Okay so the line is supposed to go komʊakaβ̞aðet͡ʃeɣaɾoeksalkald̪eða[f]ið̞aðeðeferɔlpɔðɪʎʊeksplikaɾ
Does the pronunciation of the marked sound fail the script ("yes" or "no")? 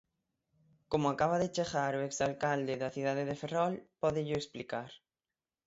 yes